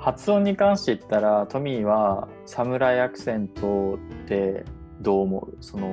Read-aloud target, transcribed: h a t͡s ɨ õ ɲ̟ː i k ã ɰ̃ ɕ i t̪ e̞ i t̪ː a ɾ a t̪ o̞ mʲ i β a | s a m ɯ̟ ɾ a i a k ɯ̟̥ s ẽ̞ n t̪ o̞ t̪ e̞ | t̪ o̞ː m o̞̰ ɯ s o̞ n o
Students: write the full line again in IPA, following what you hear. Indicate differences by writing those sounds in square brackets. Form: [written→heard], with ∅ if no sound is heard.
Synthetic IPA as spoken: h a t͡s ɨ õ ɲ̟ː i k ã ɰ̃ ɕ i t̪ e̞ i t̪ː a ɾ a t̪ o̞ mʲ i β a | s a m ɯ̟ ɾ a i a k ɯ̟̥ s ẽ̞ n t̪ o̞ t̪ e̞ | [t̪→d̪] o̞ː m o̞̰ ɯ s o̞ n o